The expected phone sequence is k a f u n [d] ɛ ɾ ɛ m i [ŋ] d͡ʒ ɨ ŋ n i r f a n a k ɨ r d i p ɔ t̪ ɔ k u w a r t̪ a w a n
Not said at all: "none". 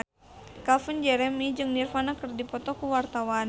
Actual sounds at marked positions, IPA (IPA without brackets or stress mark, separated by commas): d͡ʒ, none